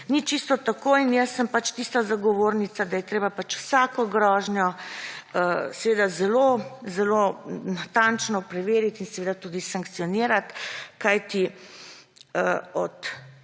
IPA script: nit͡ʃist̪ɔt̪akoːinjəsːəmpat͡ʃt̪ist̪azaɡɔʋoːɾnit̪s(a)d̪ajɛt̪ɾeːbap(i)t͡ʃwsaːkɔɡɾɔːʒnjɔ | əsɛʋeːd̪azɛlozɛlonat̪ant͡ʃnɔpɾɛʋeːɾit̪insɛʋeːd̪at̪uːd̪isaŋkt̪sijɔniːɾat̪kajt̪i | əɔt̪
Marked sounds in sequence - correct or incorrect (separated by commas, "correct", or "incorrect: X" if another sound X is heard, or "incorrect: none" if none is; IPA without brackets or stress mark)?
correct, incorrect: a